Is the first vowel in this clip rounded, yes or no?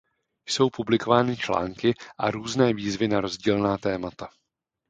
yes